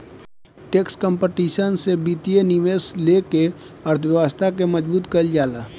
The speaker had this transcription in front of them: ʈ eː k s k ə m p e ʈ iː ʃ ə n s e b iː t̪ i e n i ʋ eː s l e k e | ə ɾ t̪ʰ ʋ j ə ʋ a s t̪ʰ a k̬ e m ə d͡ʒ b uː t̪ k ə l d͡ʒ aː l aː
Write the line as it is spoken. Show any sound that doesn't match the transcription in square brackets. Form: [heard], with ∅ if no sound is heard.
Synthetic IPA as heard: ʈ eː k s k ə m p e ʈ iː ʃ ə n s e b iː t̪ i e n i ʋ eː s l e k e | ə ɾ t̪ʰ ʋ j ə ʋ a s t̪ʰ a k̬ e m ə d͡ʒ b uː t̪ k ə l d͡ʒ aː l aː